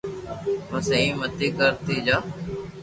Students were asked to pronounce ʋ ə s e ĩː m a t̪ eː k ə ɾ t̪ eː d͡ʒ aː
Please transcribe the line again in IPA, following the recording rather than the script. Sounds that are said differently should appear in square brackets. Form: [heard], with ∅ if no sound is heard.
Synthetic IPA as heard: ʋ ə s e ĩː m [ə] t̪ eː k ə ɾ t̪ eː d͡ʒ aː